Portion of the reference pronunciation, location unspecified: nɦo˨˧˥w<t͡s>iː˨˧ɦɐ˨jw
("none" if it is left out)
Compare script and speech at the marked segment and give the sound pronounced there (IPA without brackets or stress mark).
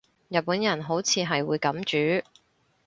t͡sʰ